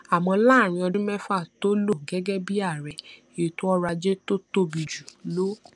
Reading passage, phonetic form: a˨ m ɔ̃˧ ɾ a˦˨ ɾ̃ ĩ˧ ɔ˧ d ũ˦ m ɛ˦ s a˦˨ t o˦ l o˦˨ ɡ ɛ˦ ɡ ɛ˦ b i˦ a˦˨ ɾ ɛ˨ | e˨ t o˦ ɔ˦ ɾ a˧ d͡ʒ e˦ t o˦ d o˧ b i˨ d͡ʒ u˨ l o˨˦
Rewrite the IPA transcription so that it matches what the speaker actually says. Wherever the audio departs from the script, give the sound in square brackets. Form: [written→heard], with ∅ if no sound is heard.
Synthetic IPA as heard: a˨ m ɔ̃˧ [ɾ→l] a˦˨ ɾ̃ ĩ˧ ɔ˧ d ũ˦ m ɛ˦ [s→f] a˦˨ t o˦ l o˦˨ ɡ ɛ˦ ɡ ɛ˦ b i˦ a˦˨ ɾ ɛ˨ | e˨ t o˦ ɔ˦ ɾ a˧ d͡ʒ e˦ t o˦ [d→t] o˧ b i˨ d͡ʒ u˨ l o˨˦